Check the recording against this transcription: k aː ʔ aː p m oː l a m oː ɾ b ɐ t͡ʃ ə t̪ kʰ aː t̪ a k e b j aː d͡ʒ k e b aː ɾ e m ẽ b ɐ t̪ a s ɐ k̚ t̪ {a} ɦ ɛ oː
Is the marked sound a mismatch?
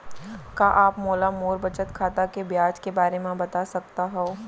no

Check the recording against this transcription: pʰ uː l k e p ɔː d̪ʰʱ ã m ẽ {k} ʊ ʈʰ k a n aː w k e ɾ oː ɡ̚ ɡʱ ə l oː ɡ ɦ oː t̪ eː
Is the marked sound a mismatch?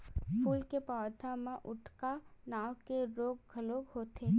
yes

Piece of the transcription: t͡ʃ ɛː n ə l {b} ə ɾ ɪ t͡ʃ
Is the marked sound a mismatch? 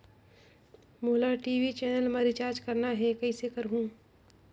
yes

